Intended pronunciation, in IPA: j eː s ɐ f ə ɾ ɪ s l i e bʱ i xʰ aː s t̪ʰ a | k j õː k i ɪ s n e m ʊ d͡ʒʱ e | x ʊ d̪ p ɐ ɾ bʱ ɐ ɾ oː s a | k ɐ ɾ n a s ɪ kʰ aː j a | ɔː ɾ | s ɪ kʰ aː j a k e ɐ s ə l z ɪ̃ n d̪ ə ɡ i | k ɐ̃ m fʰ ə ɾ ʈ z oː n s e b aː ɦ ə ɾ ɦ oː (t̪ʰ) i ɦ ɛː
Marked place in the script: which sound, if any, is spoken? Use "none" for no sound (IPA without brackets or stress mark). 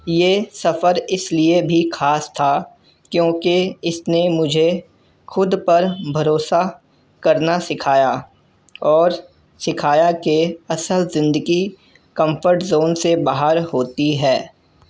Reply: t̪